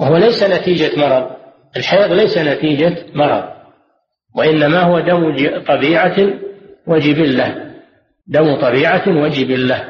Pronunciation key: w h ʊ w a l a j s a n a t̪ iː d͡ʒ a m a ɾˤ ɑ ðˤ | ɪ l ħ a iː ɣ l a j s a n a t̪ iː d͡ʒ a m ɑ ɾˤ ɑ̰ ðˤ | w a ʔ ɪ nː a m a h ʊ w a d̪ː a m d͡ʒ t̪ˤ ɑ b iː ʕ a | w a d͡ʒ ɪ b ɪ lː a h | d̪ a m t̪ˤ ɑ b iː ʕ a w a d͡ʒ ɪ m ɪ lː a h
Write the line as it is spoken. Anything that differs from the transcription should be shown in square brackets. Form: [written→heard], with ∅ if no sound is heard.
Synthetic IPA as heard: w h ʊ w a l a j s a n a t̪ iː d͡ʒ a m [a→ɑ] ɾˤ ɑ ðˤ | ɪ l ħ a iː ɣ l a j s a n a t̪ iː d͡ʒ a m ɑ ɾˤ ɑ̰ ðˤ | w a ʔ ɪ nː a m a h ʊ w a [d̪ː→d̪] a m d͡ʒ t̪ˤ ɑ b iː ʕ a | w a d͡ʒ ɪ b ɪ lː a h | d̪ a m t̪ˤ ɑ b iː ʕ a w a d͡ʒ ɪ [m→b] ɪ lː a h